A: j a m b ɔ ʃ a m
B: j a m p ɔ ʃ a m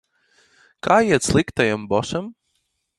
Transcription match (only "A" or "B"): A